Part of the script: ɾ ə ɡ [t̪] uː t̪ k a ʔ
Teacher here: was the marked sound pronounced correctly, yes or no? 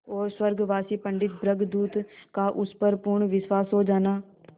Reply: no